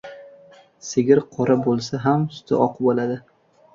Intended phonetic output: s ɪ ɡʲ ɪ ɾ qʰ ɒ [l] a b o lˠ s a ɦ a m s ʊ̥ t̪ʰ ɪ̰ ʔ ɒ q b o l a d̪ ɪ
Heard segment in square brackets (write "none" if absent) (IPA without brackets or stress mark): ɾ